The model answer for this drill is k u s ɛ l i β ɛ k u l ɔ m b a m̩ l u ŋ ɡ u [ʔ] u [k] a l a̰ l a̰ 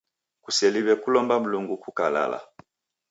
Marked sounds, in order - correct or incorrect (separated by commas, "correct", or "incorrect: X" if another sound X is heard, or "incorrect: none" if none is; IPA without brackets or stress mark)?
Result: incorrect: k, correct